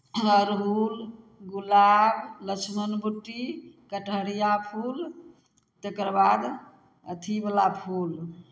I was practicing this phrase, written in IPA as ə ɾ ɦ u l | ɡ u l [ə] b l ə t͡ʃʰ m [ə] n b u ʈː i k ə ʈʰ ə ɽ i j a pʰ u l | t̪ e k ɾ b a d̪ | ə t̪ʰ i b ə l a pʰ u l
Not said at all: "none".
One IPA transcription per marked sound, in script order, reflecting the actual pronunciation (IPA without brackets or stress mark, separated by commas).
a, ə